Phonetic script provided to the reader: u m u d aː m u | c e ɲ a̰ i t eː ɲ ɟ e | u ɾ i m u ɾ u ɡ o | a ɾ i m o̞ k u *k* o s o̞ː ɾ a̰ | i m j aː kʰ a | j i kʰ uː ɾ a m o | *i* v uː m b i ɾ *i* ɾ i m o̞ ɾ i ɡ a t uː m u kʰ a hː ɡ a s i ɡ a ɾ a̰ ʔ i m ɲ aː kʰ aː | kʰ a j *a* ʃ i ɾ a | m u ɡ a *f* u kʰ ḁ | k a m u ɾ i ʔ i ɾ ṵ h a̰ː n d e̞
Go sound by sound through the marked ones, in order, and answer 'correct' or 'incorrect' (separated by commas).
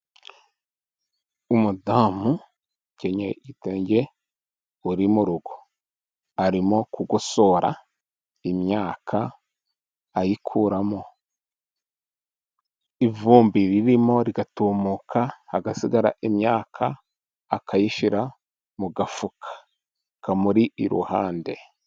incorrect, correct, correct, incorrect, correct